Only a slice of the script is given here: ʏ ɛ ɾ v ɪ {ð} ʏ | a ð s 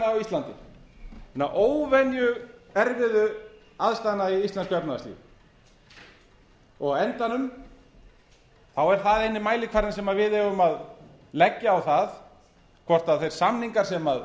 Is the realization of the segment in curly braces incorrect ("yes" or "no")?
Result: no